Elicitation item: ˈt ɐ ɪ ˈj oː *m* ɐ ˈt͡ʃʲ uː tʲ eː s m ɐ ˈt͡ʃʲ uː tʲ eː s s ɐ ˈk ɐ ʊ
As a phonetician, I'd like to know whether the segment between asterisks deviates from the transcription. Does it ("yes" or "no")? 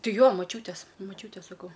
no